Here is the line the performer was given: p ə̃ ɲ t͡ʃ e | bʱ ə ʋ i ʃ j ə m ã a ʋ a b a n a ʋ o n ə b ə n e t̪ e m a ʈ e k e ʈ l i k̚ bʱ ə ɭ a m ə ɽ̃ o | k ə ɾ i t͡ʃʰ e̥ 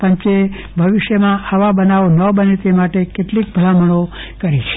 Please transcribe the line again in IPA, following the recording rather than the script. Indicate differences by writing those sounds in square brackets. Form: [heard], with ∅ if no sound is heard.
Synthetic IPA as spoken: p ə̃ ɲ t͡ʃ e | bʱ ə ʋ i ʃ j ə m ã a ʋ a b [ə] n a ʋ o n ə b ə n e t̪ e m a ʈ e k e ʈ l i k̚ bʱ ə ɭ a m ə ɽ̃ o | k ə ɾ i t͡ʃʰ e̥